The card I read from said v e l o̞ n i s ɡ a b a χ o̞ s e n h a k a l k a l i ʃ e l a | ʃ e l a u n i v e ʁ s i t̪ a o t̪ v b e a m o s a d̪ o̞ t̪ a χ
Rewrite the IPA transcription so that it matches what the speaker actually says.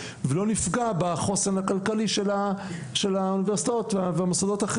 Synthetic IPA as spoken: v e l o̞ n i f ɡ a b a χ o̞ s e n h a k a l k a l i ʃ e l a | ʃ e l a u n i v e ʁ s i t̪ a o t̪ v v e a m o s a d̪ o̞ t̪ a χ